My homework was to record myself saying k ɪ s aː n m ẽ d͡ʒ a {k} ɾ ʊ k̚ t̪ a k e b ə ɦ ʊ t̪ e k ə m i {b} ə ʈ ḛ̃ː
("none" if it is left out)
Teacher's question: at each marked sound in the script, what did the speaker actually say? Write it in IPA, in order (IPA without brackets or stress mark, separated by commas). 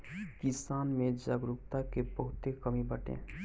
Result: ɡ, b